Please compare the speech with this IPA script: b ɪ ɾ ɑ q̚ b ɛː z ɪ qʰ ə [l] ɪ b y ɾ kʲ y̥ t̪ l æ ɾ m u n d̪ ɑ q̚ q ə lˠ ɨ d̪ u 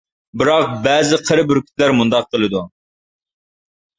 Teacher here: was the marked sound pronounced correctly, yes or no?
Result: no